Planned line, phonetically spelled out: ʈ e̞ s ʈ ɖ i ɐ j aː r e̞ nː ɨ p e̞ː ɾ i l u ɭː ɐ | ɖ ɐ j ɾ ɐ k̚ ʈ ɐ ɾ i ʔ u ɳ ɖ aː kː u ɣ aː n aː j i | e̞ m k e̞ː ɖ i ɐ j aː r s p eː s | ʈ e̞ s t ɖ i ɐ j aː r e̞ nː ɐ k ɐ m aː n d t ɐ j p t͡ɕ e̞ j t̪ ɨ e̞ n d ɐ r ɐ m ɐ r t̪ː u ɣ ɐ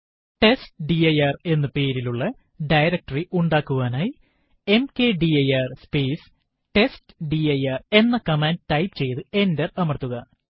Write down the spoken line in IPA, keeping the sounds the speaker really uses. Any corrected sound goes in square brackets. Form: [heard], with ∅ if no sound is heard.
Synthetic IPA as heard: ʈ e̞ s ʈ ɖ i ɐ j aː r e̞ nː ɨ p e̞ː ɾ i l u ɭː ɐ | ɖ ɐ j ɾ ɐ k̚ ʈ ɐ [r] i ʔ u ɳ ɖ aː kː u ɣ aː n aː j i | e̞ m k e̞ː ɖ i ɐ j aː r s p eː s | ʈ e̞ s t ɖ i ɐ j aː r e̞ nː ɐ k ɐ m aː n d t ɐ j p t͡ɕ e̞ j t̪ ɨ e̞ n d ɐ r ɐ m ɐ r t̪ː u ɣ ɐ